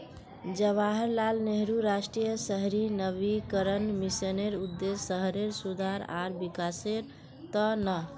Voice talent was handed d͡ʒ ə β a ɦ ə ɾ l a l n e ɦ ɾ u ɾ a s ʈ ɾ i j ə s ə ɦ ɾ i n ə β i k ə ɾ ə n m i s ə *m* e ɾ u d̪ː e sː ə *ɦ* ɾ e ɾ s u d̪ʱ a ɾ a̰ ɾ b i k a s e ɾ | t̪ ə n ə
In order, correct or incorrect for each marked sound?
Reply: incorrect, correct

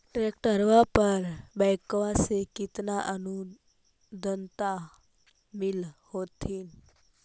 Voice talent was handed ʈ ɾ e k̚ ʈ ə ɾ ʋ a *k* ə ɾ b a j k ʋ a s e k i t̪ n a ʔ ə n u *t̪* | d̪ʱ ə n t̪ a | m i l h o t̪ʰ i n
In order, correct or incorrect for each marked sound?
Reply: incorrect, incorrect

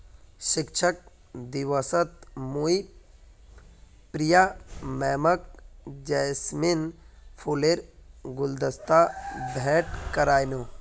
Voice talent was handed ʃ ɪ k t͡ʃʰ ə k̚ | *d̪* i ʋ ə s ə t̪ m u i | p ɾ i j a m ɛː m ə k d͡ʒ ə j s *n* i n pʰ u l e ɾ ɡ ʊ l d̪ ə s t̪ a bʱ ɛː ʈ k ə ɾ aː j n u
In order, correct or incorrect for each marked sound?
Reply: correct, incorrect

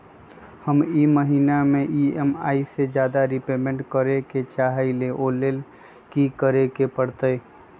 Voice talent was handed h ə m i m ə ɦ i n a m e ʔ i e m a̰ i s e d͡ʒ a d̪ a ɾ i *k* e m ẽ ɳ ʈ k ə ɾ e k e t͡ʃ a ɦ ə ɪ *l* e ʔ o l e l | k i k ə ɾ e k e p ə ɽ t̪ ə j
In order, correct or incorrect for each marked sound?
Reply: incorrect, correct

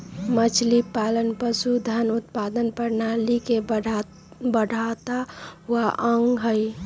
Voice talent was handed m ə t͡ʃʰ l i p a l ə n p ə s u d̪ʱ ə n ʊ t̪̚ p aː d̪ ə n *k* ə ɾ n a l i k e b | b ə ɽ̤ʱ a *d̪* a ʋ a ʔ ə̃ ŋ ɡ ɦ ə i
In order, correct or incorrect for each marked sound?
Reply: incorrect, incorrect

